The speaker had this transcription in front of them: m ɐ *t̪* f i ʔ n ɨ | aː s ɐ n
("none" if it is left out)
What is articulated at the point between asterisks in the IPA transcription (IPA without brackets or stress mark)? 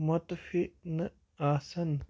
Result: t̪